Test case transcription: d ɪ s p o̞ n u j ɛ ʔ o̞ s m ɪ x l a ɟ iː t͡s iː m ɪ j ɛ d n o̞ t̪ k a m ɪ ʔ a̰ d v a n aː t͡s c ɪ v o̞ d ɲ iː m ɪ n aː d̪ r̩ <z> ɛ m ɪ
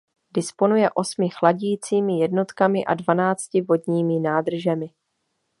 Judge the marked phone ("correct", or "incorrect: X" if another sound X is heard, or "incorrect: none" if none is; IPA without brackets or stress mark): incorrect: ʒ